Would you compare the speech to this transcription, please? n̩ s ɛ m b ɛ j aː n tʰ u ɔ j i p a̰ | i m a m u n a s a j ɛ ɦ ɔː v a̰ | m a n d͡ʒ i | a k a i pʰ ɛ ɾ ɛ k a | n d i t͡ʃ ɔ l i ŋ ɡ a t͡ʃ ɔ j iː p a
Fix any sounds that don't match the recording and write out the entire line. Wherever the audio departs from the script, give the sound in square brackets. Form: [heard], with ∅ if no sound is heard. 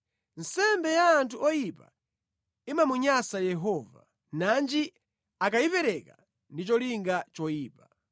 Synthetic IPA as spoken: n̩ s ɛ m b ɛ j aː n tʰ u ɔ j i p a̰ | i m a m u [ɲ] a s a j ɛ ɦ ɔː v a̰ | [n] a n d͡ʒ i | a k a i [p] ɛ ɾ ɛ k a | n d i t͡ʃ ɔ l i ŋ ɡ a t͡ʃ ɔ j iː p a

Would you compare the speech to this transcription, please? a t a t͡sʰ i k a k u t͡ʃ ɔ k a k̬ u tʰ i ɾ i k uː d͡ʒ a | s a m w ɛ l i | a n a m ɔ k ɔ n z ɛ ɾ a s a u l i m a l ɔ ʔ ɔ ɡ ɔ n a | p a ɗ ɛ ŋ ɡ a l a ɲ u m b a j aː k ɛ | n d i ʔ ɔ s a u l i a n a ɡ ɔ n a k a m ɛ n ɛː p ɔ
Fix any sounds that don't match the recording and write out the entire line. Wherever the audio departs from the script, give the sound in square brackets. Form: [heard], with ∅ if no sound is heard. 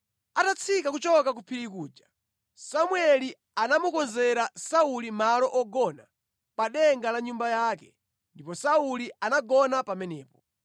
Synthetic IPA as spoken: a t a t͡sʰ i k a k u t͡ʃ ɔ k a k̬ u [pʰ] i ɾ i k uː d͡ʒ a | s a m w ɛ l i | a n a m [u] k ɔ n z ɛ ɾ a s a u l i m a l ɔ ʔ ɔ ɡ ɔ n a | p a ɗ ɛ ŋ ɡ a l a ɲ u m b a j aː k ɛ | n d i [p] ɔ s a u l i a n a ɡ ɔ n a [p] a m ɛ n ɛː p ɔ

